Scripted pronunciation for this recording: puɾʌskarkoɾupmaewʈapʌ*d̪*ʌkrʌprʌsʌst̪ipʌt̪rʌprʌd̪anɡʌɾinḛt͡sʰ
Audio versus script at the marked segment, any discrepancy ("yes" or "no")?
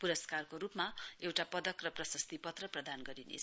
no